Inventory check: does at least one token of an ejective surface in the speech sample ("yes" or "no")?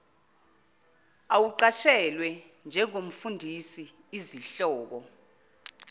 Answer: no